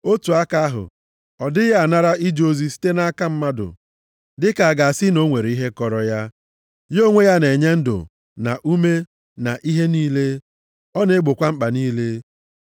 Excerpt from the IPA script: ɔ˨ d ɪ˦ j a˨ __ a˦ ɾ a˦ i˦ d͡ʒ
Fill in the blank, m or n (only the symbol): n